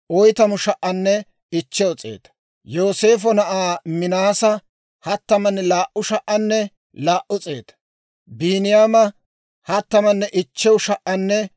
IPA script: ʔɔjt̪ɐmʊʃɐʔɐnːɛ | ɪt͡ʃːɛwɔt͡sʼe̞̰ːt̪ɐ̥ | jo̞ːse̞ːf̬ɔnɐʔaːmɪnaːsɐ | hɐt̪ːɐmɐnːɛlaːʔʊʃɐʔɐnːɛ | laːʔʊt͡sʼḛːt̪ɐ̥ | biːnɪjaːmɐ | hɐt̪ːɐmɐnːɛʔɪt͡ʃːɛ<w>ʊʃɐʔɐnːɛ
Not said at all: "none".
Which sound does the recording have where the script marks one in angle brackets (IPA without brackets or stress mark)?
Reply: w